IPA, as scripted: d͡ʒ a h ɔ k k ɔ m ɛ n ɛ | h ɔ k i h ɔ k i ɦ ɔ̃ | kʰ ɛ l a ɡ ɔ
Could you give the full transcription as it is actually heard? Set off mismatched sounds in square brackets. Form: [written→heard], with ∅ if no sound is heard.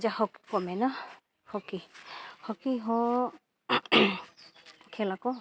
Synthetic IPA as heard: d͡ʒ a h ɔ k k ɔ m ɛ n [ɛ→a] | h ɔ k i h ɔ k i ɦ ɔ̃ | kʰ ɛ l a [ɡ→k] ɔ